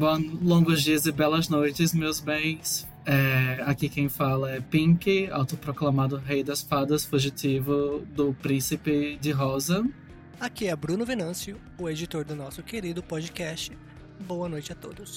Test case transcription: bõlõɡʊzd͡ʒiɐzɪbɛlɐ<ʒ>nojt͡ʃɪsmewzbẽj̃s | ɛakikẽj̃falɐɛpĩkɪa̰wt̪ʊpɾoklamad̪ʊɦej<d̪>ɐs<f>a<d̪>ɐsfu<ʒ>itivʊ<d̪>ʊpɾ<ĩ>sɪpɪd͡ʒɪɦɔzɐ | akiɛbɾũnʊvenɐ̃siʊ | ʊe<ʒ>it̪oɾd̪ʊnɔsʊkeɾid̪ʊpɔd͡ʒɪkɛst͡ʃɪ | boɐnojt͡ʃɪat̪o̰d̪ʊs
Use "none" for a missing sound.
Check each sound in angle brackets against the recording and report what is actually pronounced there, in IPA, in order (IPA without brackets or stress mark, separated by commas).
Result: z, d̪, f, d̪, ʒ, d̪, ĩ, d͡ʒ